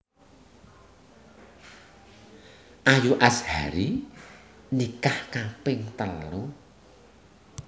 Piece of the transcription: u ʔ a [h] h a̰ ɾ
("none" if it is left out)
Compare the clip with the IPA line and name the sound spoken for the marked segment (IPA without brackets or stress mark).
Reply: s